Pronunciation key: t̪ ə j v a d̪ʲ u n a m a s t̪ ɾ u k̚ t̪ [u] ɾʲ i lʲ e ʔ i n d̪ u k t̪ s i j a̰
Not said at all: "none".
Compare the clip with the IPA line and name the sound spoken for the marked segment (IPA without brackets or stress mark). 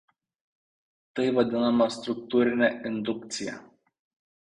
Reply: u